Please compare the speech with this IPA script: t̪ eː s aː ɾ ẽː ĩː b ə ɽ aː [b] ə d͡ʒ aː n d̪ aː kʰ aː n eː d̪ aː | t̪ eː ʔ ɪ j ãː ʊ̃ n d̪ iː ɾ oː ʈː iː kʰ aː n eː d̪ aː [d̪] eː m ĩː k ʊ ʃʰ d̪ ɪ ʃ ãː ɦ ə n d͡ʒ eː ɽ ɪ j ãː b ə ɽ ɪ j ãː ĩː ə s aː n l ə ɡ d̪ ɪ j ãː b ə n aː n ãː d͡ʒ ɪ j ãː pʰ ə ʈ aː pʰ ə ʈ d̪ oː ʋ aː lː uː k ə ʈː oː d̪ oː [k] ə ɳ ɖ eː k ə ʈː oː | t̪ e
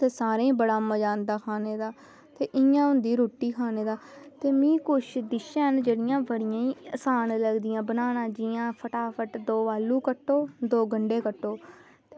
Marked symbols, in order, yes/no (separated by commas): no, no, no